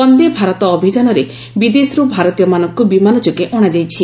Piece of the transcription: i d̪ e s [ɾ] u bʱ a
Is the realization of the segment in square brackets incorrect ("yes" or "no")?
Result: no